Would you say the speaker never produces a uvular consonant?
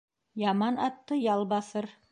yes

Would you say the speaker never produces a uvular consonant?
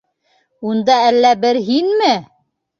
yes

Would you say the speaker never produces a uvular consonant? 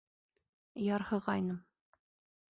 no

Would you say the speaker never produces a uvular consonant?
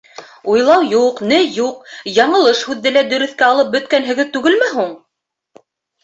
no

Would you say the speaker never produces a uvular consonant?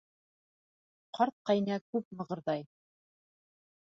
no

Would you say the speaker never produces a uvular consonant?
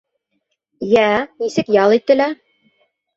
yes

